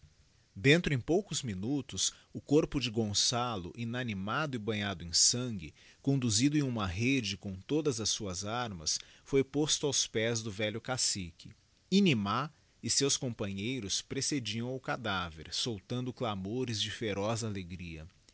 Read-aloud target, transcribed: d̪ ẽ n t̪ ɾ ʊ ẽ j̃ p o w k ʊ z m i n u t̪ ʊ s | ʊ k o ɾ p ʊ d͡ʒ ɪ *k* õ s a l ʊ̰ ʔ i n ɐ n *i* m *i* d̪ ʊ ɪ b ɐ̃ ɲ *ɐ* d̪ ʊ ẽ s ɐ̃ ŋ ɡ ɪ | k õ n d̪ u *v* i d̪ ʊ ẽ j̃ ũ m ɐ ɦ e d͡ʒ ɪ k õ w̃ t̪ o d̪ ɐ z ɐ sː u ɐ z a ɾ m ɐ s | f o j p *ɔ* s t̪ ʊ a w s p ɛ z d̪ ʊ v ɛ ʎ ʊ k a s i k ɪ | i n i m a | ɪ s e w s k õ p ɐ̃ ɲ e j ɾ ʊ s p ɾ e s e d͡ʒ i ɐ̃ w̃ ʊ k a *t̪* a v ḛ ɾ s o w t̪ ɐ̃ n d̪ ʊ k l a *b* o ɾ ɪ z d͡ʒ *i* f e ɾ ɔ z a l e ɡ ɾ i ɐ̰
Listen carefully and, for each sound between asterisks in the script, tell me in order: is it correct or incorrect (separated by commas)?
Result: incorrect, correct, incorrect, incorrect, incorrect, incorrect, incorrect, incorrect, incorrect